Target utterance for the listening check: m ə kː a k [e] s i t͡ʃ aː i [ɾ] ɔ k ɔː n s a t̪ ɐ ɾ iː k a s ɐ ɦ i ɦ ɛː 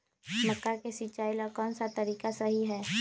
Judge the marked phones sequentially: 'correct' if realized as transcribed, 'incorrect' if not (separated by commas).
correct, incorrect